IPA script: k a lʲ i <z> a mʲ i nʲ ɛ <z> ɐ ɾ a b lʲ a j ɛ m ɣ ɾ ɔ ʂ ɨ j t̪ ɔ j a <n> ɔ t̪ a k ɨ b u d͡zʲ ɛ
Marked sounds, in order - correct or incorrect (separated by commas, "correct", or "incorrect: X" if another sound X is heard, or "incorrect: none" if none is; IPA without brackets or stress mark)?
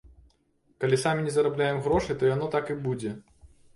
incorrect: s, correct, correct